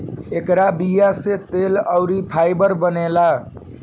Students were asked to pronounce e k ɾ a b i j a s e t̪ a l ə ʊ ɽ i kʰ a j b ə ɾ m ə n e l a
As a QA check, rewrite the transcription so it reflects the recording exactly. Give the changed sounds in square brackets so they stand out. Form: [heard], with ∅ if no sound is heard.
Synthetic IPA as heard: e k ɾ a b i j a s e t̪ [e] l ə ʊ [ɾ] i [pʰ] a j b ə ɾ [b] ə n e l a